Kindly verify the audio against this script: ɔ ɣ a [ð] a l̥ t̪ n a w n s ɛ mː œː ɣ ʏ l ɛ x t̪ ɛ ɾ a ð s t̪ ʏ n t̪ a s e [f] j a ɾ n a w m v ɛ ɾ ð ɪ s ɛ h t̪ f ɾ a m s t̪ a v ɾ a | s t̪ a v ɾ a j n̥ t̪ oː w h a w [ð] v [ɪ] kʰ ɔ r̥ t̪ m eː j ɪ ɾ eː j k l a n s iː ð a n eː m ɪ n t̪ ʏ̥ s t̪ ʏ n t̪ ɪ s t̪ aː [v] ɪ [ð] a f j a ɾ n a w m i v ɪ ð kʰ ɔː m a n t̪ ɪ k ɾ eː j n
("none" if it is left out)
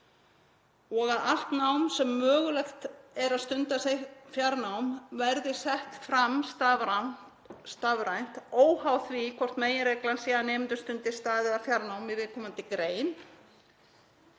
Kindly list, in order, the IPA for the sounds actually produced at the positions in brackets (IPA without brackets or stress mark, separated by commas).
ð, f, θ, i, ð, ð